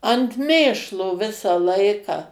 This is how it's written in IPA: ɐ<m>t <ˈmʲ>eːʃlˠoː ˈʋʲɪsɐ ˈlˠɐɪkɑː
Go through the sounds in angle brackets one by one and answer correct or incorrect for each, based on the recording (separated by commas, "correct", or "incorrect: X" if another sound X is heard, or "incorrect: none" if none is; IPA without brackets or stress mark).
incorrect: n, correct